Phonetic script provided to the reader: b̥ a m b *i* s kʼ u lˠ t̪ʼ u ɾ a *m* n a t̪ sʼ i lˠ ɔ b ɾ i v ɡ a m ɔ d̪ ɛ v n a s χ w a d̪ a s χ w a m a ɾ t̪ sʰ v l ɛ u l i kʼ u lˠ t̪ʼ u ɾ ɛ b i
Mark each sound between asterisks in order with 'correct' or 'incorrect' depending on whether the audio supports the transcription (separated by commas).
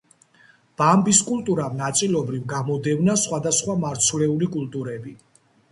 correct, correct